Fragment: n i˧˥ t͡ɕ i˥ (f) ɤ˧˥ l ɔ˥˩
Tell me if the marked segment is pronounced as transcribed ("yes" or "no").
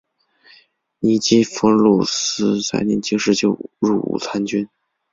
yes